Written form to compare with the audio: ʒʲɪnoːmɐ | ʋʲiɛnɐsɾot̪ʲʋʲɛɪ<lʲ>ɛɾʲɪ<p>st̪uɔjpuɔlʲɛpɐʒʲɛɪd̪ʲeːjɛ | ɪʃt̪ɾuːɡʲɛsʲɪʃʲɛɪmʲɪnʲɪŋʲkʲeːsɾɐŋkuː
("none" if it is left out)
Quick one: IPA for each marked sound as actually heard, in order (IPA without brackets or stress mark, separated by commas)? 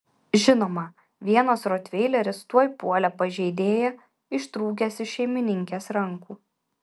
lʲ, none